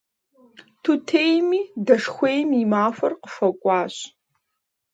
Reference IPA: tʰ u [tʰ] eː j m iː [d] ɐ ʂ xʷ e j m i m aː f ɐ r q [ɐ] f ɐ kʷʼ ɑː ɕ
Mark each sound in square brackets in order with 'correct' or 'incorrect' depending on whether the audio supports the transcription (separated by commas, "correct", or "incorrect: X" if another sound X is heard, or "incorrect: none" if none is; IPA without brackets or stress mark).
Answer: correct, correct, incorrect: ə